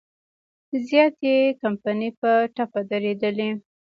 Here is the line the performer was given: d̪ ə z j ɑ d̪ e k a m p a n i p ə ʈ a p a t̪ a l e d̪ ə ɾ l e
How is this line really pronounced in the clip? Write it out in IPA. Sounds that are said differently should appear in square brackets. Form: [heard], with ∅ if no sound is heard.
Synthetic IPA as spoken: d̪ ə z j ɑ [t̪] e k a m p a n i p ə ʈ a p a [d̪] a [ɾ] e d̪ ə [∅] l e